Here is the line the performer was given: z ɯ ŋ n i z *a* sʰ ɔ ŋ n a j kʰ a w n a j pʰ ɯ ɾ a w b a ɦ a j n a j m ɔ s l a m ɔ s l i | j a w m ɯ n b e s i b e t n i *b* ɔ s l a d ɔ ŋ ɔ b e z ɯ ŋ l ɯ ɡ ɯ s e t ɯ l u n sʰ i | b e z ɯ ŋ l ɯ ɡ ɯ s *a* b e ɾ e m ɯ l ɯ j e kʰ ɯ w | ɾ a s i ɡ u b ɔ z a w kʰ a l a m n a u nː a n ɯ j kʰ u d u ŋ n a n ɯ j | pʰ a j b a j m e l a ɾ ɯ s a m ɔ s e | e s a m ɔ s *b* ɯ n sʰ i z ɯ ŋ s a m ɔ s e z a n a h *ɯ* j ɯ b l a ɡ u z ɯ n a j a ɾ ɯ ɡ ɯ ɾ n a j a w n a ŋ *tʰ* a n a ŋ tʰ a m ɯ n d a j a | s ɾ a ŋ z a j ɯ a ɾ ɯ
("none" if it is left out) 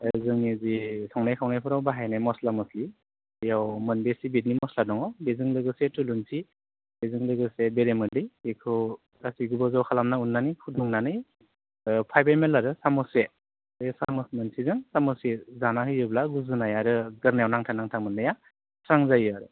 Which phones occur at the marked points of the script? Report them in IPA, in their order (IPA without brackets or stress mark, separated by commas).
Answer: i, m, e, m, ɯ, tʰ